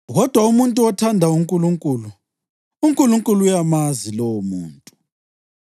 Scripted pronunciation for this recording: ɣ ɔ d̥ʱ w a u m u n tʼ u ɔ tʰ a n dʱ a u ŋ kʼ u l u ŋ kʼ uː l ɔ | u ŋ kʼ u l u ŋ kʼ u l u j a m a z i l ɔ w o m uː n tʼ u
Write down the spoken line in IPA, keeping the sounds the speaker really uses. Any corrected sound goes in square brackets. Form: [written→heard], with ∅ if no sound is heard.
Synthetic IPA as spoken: ɣ ɔ d̥ʱ w a u m u n tʼ u ɔ tʰ a n dʱ a u ŋ kʼ u l u ŋ kʼ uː l [ɔ→u] | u ŋ kʼ u l u ŋ kʼ u l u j a m a z i l ɔ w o m uː n tʼ u